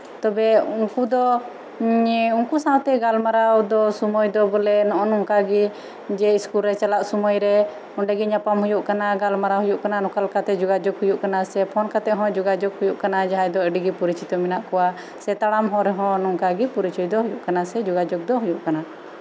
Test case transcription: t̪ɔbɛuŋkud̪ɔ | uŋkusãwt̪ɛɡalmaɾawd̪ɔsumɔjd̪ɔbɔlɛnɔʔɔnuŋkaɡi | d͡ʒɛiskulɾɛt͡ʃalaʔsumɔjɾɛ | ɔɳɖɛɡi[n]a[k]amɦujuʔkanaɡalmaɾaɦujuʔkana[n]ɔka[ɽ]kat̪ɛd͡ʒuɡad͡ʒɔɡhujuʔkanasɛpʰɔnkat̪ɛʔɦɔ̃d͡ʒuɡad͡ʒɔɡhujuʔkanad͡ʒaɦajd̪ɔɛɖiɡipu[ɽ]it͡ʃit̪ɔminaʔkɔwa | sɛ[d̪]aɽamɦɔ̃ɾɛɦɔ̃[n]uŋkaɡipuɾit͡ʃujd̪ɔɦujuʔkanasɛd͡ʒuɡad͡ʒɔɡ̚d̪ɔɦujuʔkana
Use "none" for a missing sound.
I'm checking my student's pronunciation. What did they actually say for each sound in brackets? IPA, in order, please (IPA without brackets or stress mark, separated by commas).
ɲ, p, n, l, ɾ, t̪, n